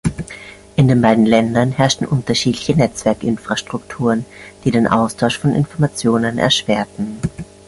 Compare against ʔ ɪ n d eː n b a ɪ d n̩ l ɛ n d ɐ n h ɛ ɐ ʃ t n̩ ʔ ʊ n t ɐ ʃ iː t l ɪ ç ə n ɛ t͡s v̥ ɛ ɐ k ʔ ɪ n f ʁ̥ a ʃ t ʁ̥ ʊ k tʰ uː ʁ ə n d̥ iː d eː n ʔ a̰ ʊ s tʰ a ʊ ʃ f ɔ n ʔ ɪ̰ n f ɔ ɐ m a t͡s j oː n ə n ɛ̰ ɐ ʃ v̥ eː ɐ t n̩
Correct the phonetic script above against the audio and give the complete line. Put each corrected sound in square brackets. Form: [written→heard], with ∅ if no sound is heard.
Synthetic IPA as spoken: ʔ ɪ n d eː n b a ɪ d n̩ l ɛ n d ɐ n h ɛ ɐ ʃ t n̩ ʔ ʊ n t ɐ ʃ iː t l ɪ ç ə n ɛ t͡s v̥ ɛ ɐ k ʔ ɪ n f ʁ̥ a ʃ t ʁ̥ ʊ k tʰ uː ʁ ə n d̥ iː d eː n ʔ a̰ ʊ s tʰ a ʊ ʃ f ɔ n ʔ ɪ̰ n f ɔ ɐ m a t͡s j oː n ə n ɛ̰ ɐ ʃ v̥ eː ɐ t n̩